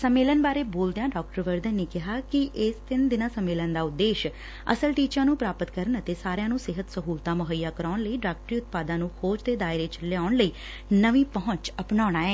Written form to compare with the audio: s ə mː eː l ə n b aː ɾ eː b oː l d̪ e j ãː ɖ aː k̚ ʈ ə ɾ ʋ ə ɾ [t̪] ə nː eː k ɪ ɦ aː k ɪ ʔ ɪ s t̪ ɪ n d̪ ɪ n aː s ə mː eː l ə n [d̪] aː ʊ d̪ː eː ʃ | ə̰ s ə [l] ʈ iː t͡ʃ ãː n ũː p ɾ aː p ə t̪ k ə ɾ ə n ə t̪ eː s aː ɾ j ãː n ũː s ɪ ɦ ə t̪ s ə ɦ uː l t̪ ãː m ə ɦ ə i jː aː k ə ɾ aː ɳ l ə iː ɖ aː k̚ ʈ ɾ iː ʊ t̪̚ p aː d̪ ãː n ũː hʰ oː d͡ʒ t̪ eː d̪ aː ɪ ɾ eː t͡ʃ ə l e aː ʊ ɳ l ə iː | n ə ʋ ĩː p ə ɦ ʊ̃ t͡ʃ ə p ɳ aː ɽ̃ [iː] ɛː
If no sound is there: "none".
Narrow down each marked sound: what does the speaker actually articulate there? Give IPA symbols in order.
d̪, d̪, l, aː

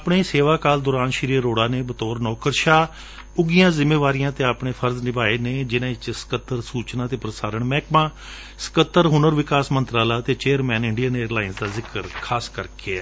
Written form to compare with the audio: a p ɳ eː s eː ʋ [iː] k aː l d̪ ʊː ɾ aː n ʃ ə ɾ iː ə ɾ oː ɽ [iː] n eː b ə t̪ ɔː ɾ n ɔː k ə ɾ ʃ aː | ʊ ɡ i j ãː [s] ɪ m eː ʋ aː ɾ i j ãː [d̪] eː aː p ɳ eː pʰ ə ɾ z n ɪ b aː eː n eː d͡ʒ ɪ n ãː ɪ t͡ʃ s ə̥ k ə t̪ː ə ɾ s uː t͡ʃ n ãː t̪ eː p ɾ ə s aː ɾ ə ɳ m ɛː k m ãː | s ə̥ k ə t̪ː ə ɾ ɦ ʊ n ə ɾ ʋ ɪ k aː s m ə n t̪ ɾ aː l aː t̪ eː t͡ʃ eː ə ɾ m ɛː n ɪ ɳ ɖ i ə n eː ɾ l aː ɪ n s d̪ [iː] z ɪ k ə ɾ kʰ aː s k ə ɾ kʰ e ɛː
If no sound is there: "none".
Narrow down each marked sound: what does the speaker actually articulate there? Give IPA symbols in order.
aː, aː, z, t̪, aː

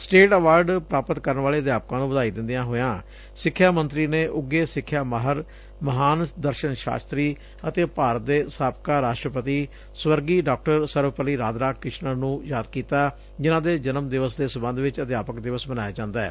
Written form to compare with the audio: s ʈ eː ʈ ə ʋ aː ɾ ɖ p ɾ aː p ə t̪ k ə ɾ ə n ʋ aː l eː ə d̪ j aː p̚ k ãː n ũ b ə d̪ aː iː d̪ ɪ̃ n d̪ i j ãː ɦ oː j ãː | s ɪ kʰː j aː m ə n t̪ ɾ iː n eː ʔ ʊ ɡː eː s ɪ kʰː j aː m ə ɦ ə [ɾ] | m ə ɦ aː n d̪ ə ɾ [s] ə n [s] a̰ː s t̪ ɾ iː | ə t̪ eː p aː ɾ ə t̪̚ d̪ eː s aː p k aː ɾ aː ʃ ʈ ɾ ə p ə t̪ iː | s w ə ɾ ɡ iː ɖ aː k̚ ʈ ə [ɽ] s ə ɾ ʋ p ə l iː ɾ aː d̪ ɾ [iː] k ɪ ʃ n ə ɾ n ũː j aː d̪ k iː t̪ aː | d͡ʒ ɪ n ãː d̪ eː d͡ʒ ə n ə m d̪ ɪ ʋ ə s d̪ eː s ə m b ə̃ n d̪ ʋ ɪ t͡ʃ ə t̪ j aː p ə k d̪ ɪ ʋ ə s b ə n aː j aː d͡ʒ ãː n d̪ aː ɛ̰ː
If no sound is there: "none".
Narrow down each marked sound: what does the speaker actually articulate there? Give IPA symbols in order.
ɾ, ʃ, ʃ, ɾ, aː

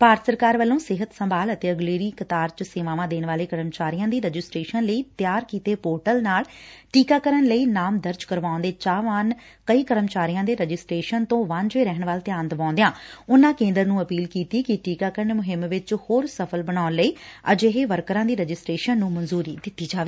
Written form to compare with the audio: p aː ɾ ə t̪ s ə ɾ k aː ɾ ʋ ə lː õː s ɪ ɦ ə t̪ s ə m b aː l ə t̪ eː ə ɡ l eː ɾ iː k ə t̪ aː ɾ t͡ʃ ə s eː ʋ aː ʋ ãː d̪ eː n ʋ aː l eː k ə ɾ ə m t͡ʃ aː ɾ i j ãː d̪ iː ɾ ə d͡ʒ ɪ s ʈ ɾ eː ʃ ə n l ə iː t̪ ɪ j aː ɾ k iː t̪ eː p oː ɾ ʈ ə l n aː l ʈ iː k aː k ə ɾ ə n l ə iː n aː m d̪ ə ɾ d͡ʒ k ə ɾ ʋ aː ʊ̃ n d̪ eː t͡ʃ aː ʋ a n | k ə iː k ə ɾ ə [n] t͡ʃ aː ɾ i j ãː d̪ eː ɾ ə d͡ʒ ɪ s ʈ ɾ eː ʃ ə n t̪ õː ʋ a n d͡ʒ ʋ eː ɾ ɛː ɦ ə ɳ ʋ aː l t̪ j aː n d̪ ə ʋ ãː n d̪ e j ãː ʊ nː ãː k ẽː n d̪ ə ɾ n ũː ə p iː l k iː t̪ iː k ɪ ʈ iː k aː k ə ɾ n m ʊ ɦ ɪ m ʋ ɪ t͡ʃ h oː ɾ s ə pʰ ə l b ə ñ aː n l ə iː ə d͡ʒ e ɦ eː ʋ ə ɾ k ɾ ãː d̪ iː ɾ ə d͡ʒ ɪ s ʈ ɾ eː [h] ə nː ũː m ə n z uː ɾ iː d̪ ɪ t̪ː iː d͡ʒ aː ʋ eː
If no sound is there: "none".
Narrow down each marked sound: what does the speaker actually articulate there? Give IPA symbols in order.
m, ʃ

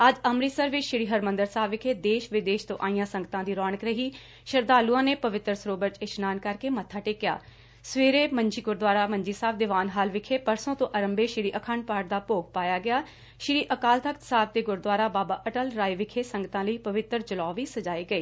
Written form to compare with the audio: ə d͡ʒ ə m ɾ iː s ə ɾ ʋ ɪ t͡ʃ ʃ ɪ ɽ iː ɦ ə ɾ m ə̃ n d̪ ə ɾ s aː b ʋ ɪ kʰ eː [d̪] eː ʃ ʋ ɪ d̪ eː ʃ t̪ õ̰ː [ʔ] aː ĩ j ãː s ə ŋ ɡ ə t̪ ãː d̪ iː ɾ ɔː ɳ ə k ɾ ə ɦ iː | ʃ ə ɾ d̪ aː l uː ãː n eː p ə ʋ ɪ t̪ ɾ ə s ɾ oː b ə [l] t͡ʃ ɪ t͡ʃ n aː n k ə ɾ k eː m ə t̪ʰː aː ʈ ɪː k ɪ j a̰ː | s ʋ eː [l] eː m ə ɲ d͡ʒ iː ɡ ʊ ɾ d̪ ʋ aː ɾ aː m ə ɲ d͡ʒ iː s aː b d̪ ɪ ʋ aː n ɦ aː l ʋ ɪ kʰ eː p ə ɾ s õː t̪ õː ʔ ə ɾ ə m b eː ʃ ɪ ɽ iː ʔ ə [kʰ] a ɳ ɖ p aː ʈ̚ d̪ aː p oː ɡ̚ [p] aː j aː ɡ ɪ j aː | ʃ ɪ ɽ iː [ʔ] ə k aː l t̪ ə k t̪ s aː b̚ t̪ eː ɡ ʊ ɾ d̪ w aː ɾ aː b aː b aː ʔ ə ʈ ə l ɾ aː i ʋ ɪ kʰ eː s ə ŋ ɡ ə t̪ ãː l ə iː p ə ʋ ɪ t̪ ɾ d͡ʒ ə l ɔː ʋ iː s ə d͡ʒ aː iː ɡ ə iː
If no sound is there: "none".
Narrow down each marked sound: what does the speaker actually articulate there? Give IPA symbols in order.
d̪, ʔ, ɾ, ɾ, kʰ, p, ʔ

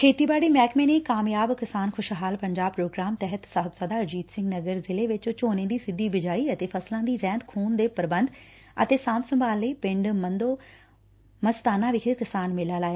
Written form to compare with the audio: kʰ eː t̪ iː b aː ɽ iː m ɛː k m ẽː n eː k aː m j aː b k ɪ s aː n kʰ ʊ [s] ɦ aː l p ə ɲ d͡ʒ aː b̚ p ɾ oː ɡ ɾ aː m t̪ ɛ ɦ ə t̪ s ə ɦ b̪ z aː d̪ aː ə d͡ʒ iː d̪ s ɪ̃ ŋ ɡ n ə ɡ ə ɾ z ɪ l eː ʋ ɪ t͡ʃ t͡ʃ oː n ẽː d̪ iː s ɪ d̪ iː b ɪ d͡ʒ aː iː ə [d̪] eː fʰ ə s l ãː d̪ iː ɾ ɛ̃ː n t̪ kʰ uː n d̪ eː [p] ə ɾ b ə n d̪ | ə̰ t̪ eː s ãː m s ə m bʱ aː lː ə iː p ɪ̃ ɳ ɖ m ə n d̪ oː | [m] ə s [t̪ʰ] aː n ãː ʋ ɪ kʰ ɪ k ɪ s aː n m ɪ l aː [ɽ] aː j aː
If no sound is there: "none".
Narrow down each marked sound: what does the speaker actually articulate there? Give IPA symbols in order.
ʃ, t̪, p, m, t̪, l

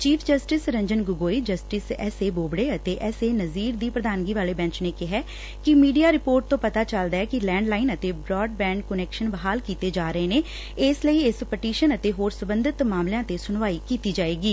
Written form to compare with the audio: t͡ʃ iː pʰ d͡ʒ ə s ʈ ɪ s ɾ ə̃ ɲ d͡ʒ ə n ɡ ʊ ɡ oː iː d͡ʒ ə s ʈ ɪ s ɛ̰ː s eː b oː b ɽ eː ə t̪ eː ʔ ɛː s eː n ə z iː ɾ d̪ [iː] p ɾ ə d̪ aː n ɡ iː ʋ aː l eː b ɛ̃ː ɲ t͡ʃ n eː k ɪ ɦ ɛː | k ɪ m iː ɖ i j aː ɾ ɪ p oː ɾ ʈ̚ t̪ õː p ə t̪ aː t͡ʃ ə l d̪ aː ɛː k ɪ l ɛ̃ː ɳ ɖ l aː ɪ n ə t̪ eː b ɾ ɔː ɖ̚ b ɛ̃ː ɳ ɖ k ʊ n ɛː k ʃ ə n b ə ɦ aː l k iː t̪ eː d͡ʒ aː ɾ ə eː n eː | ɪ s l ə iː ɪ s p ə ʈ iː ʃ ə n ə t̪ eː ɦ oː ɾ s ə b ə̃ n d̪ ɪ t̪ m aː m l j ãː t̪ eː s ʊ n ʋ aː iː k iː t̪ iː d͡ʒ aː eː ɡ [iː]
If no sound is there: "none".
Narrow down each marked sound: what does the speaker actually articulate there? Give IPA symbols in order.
iː, iː

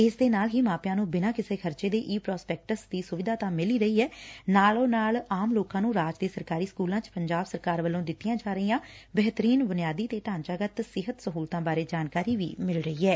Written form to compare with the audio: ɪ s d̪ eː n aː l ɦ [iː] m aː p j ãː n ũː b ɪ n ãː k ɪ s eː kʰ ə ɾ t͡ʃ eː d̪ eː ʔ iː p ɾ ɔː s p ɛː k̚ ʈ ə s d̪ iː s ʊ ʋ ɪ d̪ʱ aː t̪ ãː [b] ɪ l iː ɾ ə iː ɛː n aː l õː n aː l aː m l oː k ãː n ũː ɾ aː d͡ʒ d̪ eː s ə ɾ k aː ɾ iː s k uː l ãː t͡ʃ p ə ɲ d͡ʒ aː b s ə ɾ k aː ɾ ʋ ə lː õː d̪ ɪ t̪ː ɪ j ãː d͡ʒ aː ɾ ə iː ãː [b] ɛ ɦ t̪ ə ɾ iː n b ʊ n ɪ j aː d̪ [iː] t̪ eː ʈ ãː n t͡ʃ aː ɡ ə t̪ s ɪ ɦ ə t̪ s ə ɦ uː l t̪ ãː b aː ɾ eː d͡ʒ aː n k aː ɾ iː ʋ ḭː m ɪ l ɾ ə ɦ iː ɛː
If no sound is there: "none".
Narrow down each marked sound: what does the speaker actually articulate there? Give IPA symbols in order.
iː, m, b, iː

